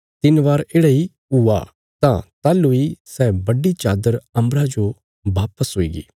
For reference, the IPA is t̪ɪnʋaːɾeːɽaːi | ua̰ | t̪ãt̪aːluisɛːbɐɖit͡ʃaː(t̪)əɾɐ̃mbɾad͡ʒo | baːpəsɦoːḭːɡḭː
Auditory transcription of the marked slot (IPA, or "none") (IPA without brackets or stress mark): d̪